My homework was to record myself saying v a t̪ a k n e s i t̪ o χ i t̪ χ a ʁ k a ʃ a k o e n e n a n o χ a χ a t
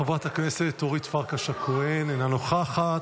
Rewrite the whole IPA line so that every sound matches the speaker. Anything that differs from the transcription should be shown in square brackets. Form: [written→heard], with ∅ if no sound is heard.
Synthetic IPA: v a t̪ a k n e s [i→e] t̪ o [χ→ʁ] i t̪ [χ→f] a ʁ k a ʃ a k o e n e n a n o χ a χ a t

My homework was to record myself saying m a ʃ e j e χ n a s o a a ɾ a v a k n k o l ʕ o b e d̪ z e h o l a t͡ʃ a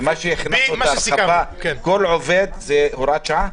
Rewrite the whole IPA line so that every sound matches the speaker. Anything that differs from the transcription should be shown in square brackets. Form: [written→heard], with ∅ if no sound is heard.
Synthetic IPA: m a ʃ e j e χ n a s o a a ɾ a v a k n k o l ʕ o [b→v] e d̪ z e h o [l→ɾ] a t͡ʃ a

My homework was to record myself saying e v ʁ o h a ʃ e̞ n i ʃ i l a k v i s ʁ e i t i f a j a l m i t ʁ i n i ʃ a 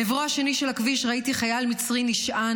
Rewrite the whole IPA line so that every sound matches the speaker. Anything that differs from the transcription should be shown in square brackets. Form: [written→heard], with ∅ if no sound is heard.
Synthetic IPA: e v ʁ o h a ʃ e̞ n i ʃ [i→e] l a k v i [s→ʃ] ʁ [e→a] i t i [f→χ] a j a l m i [t→t͡s] ʁ i n i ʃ a

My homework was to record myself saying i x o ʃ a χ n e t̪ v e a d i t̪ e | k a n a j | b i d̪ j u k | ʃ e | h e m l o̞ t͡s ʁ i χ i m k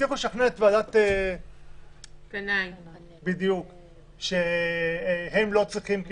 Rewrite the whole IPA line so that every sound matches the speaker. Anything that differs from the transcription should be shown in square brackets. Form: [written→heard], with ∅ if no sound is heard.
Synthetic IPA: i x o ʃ a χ n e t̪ v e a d [i→a] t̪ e | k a n a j | b i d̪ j u k | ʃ e | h e m l o̞ t͡s ʁ i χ i m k

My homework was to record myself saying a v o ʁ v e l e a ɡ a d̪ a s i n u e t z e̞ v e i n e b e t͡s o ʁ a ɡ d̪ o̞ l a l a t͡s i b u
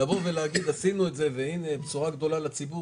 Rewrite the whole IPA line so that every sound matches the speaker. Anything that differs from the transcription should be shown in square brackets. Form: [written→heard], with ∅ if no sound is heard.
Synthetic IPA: a v o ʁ v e l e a ɡ [a→i] d̪ a s i n u e t z e̞ v e i n e b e t͡s [o→u] ʁ a ɡ d̪ o̞ l a l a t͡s i b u

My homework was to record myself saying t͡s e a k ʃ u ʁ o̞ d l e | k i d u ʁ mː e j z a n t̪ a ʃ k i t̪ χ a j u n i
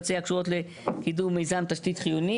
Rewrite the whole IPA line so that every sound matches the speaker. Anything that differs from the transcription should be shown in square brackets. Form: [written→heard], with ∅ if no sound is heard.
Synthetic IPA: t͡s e a k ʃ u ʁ o̞ [d→t] l e | k i d u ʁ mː e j z a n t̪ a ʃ [k→t] i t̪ χ [a→i] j u n i

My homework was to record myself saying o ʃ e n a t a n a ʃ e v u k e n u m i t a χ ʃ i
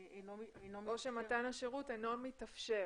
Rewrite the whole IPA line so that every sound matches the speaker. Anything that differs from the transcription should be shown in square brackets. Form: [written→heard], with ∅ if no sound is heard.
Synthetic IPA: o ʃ e [n→m] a t a n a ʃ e [v→ʁ] u [k→t] e n [u→o] m i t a [χ→f] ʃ [i→e]

